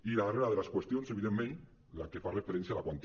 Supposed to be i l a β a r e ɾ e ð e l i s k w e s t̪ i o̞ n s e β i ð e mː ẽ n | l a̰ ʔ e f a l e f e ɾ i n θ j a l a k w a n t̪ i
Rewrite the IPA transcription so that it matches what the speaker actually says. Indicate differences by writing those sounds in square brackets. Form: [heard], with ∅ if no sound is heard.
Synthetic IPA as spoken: i l a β a r e ɾ [a] ð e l [a] s k w e s t̪ [j] o̞ n s e β i ð e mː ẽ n | l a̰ [k] e f a [r] e f e ɾ [e] n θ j a l a k w a n t̪ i